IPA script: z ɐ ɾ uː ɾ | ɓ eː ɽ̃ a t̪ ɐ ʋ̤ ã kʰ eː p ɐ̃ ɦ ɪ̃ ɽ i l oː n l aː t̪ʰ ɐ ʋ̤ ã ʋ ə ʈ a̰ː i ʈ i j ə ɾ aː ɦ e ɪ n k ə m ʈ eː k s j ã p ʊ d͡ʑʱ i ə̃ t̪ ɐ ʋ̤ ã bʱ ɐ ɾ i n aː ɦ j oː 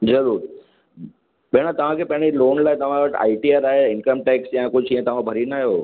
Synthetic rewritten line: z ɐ ɾ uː ɾ | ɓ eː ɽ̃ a t̪ ɐ ʋ̤ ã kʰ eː p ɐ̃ ɦ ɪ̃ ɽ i l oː n l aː t̪ ɐ ʋ̤ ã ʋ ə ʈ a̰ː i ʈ i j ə ɾ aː ɦ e ɪ n k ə m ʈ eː k s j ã k ʊ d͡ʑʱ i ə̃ t̪ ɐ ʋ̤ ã bʱ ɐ ɾ i n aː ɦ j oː

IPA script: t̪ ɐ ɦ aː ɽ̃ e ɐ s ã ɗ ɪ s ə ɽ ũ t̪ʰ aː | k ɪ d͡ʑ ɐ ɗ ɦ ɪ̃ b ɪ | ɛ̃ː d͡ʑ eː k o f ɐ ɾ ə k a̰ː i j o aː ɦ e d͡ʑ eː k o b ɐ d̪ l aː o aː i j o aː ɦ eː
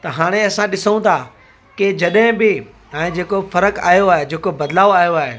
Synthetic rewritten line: t̪ ɐ ɦ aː ɽ̃ e ɐ s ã ɗ ɪ s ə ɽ ũ t̪ʰ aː | k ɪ d͡ʑ ɐ ɗ ɦ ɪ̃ b ɪ | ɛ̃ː d͡ʑ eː k o f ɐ ɾ ə k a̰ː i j o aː ɦ e d͡ʑ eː k o b ɐ d̪ l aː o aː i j o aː ɦ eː

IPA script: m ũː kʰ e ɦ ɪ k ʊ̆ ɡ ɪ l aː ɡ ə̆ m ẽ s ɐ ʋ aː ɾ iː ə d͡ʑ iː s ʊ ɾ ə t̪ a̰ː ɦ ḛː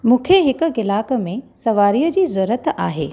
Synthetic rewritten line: m ũː kʰ e ɦ ɪ k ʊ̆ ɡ ɪ l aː k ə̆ m ẽ s ɐ ʋ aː ɾ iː ə d͡ʑ iː z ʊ ɾ ə t̪ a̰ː ɦ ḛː

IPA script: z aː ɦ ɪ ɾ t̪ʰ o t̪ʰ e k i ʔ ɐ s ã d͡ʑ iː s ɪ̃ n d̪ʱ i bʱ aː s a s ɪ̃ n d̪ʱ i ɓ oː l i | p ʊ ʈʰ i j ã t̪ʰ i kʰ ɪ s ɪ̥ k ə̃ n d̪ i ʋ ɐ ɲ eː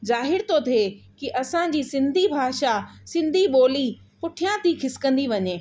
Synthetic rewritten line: z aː ɦ ɪ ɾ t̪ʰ o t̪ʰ e k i ʔ ɐ s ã d͡ʑ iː s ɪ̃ n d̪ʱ i bʱ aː ʃ a s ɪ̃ n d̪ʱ i ɓ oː l i | p ʊ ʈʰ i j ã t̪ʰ i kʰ ɪ s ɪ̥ k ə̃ n d̪ i ʋ ɐ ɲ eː

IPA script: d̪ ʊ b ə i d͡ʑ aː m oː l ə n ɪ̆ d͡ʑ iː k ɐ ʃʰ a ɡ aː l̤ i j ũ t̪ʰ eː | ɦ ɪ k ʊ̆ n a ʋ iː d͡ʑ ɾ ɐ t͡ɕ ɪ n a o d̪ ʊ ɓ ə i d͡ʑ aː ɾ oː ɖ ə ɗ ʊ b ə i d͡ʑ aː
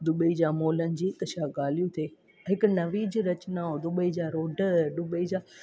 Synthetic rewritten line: d̪ ʊ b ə i d͡ʑ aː m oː l ə n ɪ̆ d͡ʑ iː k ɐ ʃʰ a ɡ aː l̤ i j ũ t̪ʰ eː | ɦ ɪ k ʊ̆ n ɐ ʋ iː d͡ʑ ɾ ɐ t͡ɕ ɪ n a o d̪ ʊ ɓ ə i d͡ʑ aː ɾ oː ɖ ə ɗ ʊ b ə i d͡ʑ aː

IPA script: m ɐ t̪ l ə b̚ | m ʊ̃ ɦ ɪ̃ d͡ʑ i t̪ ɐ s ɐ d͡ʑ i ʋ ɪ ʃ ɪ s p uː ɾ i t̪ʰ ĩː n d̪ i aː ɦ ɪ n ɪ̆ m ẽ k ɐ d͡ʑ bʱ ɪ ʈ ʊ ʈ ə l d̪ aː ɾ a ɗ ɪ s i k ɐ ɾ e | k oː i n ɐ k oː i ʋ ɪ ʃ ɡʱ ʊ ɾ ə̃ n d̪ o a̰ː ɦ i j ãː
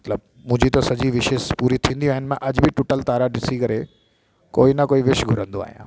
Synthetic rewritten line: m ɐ t̪ l ə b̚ | m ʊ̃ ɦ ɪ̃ d͡ʑ i t̪ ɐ s ɐ d͡ʑ i ʋ ɪ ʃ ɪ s p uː ɾ i t̪ʰ ĩː n d̪ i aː ɦ ɪ n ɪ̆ m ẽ ʔ ɐ d͡ʑ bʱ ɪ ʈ ʊ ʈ ə l t̪ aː ɾ a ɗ ɪ s i k ɐ ɾ e | k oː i n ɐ k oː i ʋ ɪ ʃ ɡʱ ʊ ɾ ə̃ n d̪ o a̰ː ɦ i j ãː

